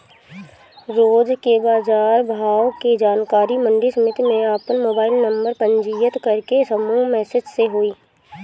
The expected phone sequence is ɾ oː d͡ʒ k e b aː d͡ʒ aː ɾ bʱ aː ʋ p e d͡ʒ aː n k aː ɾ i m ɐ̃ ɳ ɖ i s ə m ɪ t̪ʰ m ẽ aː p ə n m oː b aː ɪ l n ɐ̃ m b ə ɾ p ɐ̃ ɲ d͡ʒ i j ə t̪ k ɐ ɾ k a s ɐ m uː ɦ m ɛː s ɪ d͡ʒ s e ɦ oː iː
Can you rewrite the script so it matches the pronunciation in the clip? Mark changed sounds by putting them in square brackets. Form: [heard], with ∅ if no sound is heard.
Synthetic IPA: ɾ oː d͡ʒ k e b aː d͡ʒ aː ɾ bʱ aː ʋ [k] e d͡ʒ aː n k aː ɾ i m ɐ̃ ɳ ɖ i s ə m ɪ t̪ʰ m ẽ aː p ə n m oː b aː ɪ l n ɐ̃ m b ə ɾ p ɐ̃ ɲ d͡ʒ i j ə t̪ k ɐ ɾ k [e] s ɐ m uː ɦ m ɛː s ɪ d͡ʒ s e ɦ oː iː